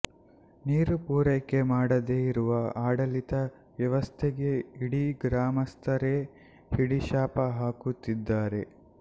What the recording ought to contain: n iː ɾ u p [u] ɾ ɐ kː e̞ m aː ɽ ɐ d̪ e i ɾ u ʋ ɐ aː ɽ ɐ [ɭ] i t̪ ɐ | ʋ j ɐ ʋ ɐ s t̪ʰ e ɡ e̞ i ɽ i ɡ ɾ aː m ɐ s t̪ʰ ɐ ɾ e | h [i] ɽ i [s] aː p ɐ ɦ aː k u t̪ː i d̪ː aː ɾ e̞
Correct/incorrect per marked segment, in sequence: incorrect: uː, incorrect: l, correct, incorrect: ʃ

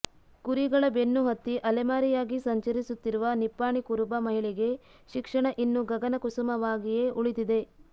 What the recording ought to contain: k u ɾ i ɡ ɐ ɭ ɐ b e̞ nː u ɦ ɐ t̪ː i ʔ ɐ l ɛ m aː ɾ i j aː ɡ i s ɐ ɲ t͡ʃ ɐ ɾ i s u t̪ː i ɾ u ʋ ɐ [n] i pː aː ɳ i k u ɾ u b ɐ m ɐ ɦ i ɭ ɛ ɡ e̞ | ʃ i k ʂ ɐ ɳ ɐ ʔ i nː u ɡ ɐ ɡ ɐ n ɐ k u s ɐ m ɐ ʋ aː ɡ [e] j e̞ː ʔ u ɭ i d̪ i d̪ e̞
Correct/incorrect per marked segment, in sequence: correct, incorrect: i

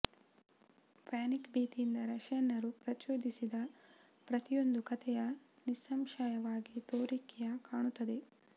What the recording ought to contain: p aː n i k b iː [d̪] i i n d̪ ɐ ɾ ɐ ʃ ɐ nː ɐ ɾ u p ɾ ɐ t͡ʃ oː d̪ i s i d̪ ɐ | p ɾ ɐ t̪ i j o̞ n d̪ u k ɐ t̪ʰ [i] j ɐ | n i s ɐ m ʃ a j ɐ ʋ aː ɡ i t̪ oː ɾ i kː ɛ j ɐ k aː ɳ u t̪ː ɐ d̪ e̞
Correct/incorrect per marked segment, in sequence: incorrect: t̪, incorrect: ɛ

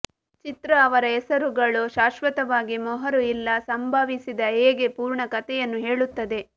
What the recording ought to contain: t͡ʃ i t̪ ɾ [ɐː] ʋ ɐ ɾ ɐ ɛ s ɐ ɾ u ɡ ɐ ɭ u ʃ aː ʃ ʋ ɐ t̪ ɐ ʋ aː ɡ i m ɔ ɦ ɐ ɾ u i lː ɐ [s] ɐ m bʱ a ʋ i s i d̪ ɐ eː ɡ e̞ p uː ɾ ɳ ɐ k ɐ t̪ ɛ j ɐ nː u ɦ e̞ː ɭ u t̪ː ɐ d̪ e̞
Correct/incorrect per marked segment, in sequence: correct, correct

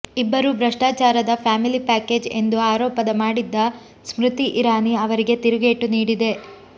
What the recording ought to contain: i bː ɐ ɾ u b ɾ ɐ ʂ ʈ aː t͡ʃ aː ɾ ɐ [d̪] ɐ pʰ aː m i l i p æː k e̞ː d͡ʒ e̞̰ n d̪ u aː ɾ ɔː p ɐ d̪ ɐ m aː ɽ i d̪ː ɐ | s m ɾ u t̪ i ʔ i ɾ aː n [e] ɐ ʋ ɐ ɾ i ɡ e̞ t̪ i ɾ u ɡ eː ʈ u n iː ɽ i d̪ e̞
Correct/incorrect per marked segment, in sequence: correct, incorrect: i

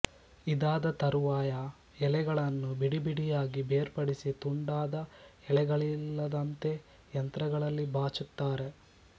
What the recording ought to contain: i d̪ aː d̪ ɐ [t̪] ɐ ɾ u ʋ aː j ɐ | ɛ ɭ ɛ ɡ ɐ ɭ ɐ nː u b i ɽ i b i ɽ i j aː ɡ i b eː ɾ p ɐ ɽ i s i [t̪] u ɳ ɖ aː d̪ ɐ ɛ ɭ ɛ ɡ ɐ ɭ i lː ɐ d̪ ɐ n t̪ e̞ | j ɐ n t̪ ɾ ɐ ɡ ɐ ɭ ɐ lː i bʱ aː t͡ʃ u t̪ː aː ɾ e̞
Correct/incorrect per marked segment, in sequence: correct, correct

